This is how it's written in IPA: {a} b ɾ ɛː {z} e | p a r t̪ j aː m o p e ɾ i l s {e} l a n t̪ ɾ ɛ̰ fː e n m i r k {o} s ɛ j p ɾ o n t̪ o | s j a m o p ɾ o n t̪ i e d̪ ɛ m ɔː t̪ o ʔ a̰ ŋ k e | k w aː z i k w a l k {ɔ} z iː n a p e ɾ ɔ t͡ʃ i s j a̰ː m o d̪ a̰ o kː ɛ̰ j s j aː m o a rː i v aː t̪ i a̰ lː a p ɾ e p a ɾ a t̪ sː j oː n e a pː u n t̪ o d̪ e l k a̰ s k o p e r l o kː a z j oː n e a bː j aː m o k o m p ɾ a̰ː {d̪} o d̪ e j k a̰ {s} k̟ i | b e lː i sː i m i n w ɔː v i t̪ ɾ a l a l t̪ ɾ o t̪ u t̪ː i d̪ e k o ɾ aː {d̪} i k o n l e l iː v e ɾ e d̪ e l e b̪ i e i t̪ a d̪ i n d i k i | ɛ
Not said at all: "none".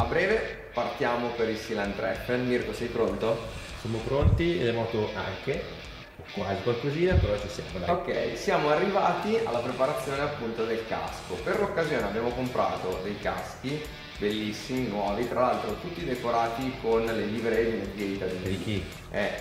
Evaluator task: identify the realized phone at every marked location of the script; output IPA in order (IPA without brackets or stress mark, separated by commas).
a, v, i, o, o, t̪, s, t̪